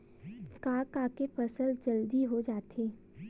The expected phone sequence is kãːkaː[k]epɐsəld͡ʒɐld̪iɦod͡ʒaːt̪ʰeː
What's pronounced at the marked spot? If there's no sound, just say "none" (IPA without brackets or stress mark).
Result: k